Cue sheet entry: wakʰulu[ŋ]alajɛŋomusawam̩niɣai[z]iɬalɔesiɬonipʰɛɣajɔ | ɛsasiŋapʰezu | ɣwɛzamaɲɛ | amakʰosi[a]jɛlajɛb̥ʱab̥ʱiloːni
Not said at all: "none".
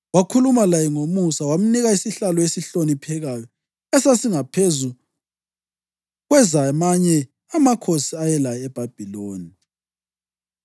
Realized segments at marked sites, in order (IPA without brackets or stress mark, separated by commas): m, s, a